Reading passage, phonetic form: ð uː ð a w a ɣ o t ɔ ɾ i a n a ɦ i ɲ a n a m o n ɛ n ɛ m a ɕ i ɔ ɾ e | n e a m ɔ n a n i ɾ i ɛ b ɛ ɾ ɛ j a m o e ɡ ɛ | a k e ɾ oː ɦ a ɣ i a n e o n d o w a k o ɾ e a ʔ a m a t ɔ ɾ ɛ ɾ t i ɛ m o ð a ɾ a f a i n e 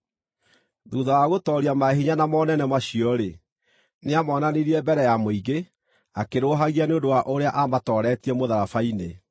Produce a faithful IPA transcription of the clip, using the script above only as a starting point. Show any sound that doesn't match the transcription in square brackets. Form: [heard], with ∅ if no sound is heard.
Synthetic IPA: ð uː ð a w a ɣ o t ɔ ɾ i a [m] a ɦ i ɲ a n a m [ɔ] n ɛ n ɛ m a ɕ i ɔ ɾ e | n e a m ɔ n a n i ɾ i ɛ b ɛ ɾ ɛ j a m o [i] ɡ [e] | a k e ɾ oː ɦ a ɣ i a n e o n d o w a [ʔ] o ɾ e a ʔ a m a t ɔ ɾ ɛ [∅] t i ɛ m o ð a ɾ a f a i n e